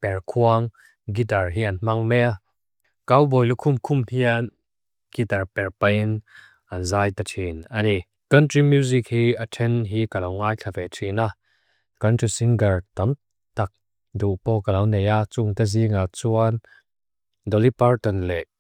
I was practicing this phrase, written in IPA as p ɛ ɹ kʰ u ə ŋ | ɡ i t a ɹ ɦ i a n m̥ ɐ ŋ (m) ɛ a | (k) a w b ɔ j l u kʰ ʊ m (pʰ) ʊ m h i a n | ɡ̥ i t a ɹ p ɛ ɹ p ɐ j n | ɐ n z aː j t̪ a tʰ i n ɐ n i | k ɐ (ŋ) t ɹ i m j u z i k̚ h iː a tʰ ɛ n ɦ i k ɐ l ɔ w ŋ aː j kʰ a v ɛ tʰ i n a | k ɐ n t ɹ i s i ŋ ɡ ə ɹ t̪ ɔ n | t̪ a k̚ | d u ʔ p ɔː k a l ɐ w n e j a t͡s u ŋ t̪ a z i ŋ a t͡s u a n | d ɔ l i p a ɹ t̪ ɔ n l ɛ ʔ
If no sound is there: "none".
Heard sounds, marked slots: m, k, kʰ, n

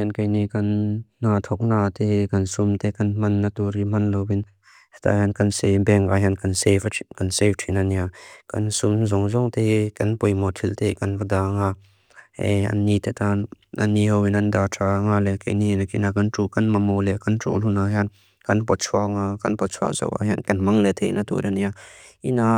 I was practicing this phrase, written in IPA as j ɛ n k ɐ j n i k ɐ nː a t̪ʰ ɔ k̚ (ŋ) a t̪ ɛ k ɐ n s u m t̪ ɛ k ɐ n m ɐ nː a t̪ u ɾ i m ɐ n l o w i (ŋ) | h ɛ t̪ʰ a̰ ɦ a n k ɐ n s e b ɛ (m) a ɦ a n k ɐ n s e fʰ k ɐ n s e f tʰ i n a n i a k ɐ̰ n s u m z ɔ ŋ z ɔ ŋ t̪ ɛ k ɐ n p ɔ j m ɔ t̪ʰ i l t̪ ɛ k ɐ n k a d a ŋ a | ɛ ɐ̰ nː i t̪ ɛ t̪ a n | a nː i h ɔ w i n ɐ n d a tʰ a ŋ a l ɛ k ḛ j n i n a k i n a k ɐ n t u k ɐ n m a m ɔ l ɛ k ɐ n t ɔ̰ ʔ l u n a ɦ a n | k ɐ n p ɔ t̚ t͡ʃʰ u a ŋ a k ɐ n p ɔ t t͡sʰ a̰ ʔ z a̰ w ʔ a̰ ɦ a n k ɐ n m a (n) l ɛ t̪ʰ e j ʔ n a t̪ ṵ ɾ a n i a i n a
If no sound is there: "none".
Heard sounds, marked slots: n, n, ŋ, ŋ

